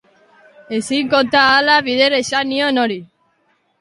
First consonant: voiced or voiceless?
voiceless